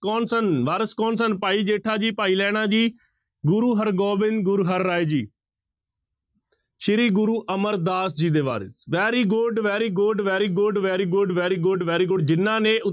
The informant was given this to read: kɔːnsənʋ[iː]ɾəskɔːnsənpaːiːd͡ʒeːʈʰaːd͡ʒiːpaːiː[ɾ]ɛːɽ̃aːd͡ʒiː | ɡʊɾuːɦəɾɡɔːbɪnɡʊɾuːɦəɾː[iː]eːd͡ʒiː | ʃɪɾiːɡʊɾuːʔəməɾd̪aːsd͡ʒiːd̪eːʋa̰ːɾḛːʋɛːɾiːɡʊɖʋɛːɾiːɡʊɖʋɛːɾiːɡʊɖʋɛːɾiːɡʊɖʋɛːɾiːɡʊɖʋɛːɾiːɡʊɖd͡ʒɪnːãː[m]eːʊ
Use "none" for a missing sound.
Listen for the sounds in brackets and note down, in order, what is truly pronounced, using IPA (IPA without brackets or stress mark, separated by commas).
aː, l, aː, n